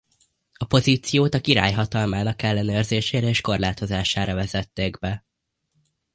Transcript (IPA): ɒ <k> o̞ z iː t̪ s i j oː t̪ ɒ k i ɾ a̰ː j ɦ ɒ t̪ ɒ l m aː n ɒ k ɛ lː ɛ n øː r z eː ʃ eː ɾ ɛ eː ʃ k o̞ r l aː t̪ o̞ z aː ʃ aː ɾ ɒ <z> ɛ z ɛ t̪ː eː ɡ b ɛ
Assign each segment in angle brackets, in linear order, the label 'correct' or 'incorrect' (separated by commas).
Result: incorrect, incorrect